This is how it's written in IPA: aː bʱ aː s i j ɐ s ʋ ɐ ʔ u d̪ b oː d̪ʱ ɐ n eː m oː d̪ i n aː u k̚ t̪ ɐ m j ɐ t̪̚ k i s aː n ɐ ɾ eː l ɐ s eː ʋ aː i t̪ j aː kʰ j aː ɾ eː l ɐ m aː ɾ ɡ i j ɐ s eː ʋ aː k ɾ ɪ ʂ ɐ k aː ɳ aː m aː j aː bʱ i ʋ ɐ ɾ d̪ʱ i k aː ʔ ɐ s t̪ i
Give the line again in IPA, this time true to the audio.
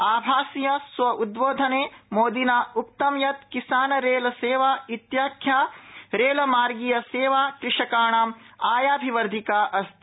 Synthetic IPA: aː bʱ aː s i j ɐ s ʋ ɐ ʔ u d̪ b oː d̪ʱ ɐ n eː m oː d̪ i n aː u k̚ t̪ ɐ m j ɐ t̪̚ k i s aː n ɐ ɾ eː l ɐ s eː ʋ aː i t̪ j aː kʰ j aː ɾ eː l ɐ m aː ɾ ɡ i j ɐ s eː ʋ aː k ɾ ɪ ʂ ɐ k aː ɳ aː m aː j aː bʱ i ʋ ɐ ɾ d̪ʱ i k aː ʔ ɐ s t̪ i